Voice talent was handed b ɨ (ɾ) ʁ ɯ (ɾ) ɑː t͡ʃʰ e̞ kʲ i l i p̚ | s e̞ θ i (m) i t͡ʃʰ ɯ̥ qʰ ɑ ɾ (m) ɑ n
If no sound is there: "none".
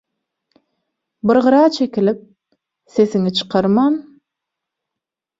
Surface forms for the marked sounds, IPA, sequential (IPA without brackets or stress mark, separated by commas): ɾ, ɾ, ŋ, m